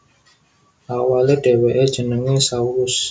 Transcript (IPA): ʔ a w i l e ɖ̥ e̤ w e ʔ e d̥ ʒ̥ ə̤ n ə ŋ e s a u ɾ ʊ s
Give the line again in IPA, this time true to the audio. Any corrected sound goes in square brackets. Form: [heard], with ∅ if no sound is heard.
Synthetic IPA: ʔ a w [a] l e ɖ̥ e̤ w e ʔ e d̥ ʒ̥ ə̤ n ə ŋ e s a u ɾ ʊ s